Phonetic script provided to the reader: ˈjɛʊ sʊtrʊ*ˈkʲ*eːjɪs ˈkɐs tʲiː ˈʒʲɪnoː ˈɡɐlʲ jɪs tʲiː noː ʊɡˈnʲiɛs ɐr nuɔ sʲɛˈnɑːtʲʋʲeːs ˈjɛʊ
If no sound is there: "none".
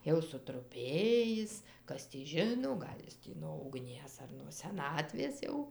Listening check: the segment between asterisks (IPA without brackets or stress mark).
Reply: pʲ